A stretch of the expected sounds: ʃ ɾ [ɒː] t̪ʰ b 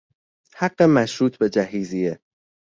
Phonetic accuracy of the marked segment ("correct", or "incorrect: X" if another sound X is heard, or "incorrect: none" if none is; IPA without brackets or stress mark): incorrect: uː